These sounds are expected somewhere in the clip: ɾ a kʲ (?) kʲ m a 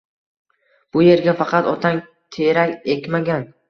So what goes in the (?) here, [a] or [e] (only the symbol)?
e